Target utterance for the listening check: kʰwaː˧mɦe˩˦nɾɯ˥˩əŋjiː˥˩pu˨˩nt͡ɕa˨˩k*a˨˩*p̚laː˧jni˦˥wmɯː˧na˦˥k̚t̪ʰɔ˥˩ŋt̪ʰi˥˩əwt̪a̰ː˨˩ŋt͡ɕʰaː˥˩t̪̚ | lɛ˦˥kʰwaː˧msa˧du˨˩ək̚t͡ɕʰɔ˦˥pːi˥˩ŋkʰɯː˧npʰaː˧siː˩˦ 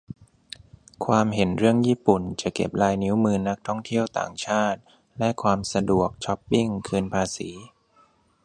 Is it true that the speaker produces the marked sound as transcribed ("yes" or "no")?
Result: no